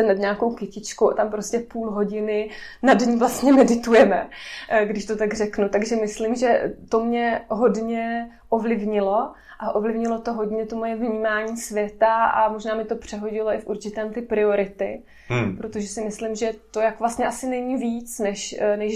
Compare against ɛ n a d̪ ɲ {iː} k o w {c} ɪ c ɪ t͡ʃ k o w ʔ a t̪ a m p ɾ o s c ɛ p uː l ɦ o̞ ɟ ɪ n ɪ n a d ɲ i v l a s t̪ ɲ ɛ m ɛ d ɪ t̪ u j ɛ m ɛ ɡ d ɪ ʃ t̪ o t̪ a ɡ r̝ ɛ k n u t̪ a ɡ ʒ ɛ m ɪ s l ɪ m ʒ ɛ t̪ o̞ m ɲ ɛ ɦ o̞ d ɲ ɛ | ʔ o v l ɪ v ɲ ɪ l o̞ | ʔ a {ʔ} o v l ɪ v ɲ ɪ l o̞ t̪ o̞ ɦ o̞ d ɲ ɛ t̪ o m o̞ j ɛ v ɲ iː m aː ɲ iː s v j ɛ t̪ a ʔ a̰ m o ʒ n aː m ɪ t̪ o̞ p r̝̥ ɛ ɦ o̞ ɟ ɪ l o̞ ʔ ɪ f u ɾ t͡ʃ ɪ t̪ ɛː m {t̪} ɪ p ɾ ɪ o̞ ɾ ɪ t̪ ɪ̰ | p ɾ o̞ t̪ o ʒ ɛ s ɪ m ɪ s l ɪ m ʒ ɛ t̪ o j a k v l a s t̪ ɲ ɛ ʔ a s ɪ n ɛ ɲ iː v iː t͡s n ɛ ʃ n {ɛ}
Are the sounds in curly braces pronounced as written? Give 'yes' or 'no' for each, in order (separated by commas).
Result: no, no, yes, yes, yes